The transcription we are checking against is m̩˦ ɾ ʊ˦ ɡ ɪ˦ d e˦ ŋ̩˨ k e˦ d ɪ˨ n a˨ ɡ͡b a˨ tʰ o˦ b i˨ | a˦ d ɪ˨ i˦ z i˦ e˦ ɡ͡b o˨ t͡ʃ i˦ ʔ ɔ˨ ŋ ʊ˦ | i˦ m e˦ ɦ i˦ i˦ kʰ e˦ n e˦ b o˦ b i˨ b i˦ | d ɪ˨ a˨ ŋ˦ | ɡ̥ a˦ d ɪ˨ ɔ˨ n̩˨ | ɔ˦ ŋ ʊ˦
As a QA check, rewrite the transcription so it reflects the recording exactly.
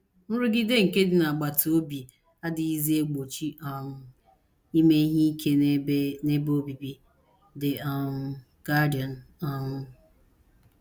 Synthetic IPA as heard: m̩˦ ɾ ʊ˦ ɡ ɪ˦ d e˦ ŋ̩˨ k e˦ d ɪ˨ n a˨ ɡ͡b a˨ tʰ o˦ b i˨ | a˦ d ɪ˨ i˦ z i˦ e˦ ɡ͡b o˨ t͡ʃ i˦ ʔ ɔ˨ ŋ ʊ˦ | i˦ m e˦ ɦ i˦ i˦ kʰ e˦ n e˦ b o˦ b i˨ b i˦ | d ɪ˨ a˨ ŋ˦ | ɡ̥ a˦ d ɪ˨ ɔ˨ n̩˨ | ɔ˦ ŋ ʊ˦